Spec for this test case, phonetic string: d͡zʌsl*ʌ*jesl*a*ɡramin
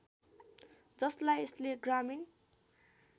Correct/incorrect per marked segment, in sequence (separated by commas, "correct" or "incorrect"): incorrect, incorrect